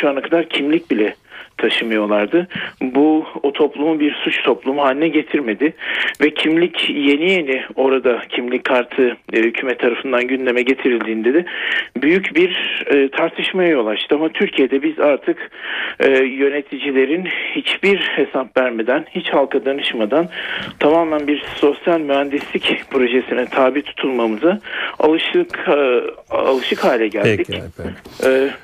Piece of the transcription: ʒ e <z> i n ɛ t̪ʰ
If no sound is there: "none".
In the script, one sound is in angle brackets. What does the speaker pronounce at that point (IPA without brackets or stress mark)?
s